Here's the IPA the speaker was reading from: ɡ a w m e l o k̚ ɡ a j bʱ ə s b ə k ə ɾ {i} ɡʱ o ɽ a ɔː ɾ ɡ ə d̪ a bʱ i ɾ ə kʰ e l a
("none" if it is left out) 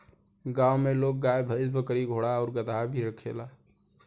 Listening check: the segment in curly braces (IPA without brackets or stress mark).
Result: i